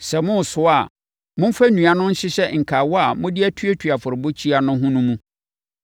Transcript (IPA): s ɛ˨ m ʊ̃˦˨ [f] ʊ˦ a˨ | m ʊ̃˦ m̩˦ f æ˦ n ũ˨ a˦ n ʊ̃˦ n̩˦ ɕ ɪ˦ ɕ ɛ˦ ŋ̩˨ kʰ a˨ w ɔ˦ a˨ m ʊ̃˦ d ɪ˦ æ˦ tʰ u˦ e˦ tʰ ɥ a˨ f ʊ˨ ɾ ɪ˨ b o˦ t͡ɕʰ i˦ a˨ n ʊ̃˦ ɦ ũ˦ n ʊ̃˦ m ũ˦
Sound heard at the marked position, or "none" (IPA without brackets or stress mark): s